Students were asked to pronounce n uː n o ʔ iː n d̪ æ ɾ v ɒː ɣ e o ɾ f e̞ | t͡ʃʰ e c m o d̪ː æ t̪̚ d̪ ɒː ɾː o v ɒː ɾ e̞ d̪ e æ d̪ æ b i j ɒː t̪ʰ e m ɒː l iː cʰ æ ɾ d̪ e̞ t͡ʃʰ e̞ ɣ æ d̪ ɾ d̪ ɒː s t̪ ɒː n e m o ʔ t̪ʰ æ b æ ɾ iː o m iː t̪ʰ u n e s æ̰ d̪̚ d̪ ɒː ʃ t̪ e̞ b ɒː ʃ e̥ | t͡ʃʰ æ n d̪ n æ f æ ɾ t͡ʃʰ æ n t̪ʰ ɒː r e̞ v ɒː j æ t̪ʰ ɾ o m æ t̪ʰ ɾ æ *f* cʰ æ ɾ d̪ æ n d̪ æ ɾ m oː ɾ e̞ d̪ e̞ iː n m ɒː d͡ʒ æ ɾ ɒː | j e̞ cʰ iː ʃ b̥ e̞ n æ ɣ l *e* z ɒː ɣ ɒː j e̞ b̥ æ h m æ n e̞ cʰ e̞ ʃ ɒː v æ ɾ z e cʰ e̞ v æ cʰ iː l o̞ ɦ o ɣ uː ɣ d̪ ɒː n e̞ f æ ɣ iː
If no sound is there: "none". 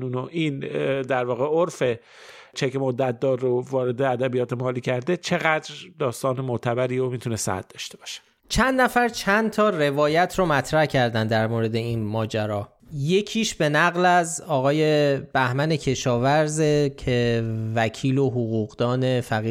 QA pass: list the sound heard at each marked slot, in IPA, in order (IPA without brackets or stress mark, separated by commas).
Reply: h, æ